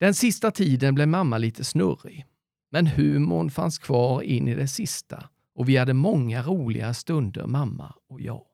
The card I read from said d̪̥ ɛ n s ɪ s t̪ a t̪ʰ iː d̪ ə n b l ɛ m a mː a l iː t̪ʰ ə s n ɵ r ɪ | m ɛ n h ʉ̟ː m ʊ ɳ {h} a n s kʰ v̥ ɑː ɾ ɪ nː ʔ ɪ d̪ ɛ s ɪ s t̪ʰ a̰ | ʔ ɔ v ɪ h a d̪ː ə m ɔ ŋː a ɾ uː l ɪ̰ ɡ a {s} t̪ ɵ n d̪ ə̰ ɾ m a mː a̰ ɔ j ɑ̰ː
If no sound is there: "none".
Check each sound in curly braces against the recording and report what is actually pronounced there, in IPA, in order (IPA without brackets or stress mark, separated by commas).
f, s